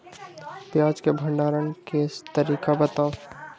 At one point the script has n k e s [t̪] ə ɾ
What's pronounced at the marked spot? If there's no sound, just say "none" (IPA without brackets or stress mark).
t̪